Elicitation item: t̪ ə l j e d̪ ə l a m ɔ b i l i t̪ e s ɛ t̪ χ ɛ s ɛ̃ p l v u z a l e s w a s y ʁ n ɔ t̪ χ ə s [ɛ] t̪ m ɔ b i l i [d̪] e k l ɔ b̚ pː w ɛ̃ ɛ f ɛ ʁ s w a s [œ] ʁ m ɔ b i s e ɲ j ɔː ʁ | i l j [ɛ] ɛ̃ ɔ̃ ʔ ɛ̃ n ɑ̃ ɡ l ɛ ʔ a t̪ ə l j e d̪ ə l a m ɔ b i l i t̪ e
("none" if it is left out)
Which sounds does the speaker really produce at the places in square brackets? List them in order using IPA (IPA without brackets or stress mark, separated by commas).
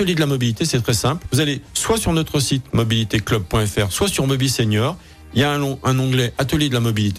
i, t̪, y, a